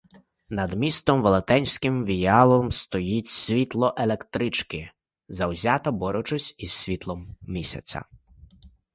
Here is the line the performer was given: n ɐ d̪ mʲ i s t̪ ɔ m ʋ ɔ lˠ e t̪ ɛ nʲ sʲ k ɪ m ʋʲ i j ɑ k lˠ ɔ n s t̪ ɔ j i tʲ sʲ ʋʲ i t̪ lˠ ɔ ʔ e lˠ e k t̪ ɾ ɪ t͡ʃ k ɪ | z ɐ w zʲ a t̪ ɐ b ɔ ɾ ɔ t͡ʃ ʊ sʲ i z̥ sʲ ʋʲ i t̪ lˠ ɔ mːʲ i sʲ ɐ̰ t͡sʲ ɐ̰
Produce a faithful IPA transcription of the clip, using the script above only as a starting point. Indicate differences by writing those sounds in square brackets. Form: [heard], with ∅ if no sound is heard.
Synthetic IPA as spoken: n ɐ d̪ mʲ i s t̪ ɔ m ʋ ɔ lˠ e t̪ ɛ nʲ sʲ k ɪ m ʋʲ i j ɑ [∅] lˠ ɔ [m] s t̪ ɔ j i tʲ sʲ ʋʲ i t̪ lˠ ɔ ʔ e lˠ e k t̪ ɾ ɪ t͡ʃ k ɪ | z ɐ w zʲ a t̪ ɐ b ɔ ɾ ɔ t͡ʃ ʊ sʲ i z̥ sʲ ʋʲ i t̪ lˠ ɔ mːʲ i sʲ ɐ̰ t͡sʲ ɐ̰